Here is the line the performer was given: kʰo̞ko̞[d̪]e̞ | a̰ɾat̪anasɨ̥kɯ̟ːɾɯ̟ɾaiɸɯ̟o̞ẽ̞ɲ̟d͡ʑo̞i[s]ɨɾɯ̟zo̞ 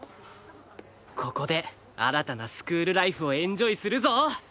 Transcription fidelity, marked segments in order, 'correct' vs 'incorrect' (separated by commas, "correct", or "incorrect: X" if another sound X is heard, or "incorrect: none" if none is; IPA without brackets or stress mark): correct, correct